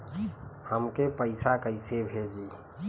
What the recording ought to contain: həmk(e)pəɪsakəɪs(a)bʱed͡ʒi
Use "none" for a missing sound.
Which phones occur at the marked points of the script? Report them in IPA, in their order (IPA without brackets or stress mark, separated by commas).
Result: e, e